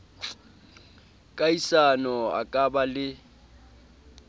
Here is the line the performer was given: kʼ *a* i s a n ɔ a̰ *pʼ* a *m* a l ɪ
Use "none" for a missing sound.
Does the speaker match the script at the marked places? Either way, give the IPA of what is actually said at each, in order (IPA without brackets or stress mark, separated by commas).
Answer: a, kʼ, b